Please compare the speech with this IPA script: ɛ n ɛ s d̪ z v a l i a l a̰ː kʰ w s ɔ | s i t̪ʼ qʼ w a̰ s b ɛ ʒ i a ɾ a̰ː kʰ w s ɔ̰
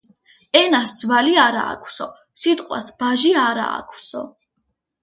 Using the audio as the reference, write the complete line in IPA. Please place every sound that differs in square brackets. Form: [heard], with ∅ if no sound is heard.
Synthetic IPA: ɛ n [a] s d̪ z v a l i a [ɾ] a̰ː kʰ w s ɔ | s i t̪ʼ qʼ w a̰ s b [a] ʒ i a ɾ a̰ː kʰ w s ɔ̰